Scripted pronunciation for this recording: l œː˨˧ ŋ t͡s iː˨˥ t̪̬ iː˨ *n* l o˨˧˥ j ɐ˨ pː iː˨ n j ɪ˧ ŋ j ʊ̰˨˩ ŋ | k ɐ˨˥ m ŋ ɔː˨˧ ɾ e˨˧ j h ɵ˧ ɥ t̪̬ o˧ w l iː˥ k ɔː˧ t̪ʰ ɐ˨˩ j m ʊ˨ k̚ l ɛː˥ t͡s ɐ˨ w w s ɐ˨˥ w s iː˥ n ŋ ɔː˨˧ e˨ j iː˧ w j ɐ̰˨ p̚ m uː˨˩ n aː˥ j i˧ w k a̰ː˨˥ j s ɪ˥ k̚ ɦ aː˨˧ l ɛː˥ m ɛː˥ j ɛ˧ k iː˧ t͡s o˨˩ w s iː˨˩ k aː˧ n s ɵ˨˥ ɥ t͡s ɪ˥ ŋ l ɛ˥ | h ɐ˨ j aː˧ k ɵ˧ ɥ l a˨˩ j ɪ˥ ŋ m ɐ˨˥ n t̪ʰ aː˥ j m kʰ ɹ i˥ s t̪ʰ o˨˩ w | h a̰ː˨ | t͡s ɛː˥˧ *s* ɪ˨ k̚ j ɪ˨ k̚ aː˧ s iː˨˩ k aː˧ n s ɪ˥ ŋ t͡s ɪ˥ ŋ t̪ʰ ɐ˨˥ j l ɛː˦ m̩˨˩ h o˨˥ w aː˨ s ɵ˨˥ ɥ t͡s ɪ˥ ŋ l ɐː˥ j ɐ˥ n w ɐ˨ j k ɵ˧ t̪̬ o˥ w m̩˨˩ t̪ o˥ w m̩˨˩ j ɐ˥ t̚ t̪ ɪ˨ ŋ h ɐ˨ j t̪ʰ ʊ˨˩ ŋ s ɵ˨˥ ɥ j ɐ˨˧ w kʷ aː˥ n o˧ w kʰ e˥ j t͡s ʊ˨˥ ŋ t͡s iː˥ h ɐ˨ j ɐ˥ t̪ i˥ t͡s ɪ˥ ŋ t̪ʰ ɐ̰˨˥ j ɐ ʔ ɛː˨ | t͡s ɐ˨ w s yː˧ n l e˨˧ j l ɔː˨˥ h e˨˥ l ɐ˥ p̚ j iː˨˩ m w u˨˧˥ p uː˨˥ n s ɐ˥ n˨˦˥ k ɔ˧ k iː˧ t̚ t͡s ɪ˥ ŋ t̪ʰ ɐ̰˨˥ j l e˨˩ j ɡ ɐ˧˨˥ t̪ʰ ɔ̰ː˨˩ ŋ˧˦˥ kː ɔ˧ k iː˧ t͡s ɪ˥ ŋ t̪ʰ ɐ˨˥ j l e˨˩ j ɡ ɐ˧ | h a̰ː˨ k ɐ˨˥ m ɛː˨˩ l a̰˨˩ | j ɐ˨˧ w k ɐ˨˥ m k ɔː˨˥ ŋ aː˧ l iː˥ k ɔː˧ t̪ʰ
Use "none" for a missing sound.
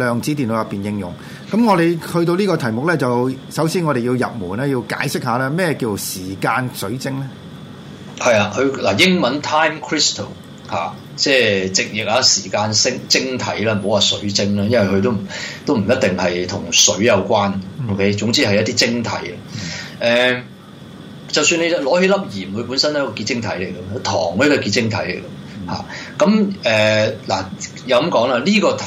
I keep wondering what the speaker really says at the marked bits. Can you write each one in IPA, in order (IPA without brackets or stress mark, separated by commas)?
n, t͡s